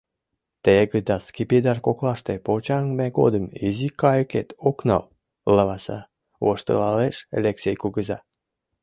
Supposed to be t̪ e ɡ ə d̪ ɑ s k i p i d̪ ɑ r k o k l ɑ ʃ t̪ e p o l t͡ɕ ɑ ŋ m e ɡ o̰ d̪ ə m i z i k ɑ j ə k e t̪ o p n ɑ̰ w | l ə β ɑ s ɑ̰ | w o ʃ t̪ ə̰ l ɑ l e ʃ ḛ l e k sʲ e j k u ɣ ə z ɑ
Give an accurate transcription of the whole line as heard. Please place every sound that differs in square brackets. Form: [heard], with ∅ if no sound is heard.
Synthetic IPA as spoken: t̪ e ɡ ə d̪ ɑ s k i p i d̪ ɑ r k o k l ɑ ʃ t̪ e p o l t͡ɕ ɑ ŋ m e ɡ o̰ d̪ ə m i z i k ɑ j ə k e t̪ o [k] n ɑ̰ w | l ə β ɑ s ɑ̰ | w o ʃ t̪ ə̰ l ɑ l e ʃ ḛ l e k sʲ e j k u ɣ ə z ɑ